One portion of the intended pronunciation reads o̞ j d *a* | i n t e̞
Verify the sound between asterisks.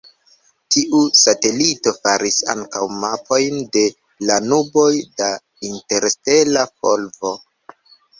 correct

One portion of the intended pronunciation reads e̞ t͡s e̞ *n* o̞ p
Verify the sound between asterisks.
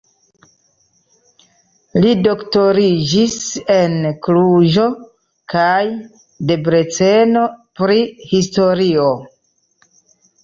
correct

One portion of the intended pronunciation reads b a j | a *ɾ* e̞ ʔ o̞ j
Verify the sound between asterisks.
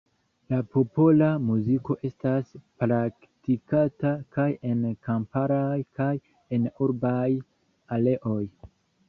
incorrect: l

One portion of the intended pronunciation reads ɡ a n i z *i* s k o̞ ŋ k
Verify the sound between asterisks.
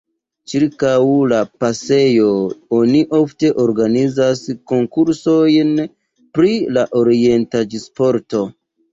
incorrect: a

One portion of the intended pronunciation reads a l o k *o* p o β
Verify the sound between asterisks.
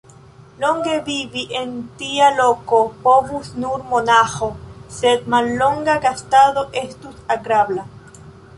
correct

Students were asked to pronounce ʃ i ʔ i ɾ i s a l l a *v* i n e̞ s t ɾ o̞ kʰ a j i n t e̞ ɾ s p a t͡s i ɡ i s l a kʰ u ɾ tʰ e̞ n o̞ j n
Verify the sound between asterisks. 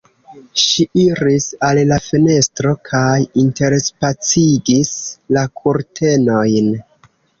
incorrect: f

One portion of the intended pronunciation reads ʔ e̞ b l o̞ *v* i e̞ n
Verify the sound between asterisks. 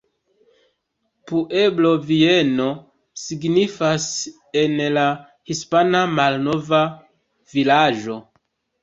correct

